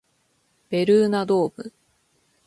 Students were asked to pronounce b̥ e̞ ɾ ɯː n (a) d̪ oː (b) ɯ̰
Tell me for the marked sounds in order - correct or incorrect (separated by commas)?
correct, correct